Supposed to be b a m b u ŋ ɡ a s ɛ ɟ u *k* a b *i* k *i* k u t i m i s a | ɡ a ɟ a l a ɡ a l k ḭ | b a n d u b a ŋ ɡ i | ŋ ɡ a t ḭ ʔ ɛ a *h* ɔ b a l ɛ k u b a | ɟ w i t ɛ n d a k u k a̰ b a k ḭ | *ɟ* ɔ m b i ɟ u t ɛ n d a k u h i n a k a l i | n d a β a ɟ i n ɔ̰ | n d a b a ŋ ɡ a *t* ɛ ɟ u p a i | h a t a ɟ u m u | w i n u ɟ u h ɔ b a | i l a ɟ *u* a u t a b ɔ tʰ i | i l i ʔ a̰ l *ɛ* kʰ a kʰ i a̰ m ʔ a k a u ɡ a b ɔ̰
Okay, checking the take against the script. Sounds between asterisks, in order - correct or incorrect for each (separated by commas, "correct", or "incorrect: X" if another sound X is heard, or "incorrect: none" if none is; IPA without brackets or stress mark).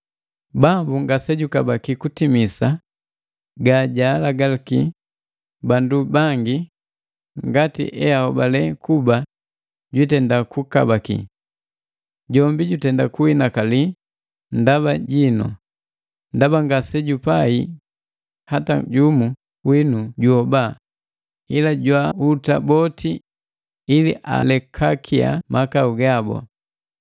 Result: correct, incorrect: a, correct, correct, correct, incorrect: s, incorrect: w, correct